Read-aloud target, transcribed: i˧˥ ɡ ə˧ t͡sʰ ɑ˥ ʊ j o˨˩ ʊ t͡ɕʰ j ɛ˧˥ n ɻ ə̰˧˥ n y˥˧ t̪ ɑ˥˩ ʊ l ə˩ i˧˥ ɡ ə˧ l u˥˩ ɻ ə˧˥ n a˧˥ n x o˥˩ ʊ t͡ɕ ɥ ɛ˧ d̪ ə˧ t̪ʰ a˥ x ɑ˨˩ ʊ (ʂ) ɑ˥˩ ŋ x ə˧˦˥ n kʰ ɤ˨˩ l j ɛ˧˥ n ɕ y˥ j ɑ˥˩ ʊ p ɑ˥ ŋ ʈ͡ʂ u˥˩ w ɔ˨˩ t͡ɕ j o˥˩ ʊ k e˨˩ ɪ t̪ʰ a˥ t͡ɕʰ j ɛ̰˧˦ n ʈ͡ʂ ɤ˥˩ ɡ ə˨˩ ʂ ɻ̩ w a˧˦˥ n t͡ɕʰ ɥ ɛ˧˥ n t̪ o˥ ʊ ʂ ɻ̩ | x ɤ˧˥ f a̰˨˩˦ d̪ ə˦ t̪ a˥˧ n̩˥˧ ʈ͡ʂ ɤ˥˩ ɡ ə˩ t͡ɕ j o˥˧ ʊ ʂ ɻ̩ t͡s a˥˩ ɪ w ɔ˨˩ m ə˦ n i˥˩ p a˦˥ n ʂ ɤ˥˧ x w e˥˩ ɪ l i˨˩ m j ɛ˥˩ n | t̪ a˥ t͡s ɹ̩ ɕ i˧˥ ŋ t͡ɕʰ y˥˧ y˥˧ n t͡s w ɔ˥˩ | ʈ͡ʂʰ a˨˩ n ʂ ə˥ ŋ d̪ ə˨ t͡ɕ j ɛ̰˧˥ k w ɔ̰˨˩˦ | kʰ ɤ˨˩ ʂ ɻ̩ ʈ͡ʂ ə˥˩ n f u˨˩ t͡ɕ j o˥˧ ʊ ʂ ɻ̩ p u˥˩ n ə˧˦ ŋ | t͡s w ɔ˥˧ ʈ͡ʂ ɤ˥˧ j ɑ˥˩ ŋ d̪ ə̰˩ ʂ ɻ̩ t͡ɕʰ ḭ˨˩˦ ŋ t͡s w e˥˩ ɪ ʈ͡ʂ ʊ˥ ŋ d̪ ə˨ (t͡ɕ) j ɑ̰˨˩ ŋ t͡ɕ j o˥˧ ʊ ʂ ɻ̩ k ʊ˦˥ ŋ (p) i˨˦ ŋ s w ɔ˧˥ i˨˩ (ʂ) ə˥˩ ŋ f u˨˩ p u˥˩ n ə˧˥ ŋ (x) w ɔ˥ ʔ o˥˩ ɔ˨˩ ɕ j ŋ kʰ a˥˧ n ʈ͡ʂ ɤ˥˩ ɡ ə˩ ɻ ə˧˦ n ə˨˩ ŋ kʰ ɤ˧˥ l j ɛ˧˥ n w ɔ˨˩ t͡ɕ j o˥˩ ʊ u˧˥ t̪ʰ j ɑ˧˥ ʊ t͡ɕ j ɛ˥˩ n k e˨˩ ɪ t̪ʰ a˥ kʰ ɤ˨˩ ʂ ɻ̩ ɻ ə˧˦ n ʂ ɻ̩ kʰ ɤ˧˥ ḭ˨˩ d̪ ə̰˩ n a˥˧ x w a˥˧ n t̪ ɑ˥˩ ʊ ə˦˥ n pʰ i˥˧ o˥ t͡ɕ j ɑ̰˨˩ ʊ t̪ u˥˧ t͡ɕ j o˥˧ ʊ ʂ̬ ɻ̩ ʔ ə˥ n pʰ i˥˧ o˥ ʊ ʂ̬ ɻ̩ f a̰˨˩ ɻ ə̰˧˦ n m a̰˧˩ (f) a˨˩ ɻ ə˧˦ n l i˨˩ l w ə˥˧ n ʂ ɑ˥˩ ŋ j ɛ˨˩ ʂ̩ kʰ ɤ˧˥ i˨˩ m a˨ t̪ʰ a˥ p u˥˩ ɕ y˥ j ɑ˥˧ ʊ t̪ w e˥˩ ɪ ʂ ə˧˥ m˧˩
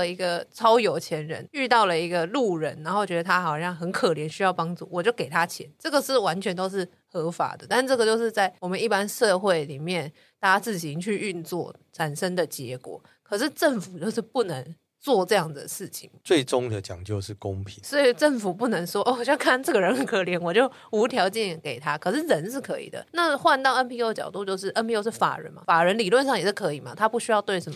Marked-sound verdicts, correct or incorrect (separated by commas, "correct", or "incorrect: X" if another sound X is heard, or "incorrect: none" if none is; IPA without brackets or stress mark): incorrect: ɕ, correct, incorrect: pʰ, incorrect: ʈ͡ʂ, incorrect: ʂ, correct